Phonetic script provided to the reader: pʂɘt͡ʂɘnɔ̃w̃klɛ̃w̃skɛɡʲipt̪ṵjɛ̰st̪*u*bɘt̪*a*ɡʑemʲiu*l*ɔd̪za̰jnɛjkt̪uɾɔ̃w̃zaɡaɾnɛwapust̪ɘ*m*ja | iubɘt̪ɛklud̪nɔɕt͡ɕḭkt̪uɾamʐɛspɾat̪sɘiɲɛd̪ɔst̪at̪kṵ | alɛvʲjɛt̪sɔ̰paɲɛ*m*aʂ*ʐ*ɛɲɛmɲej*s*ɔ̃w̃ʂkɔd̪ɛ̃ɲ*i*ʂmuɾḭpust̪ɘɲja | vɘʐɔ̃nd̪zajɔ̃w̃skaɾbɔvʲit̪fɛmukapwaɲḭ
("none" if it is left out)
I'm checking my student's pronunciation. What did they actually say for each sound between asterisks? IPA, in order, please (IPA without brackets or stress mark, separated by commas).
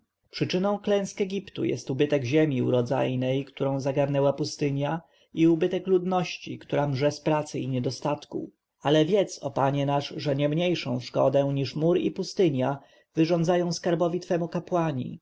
u, ɛ, ɾ, ɲ, n, ʐ, ʂ, i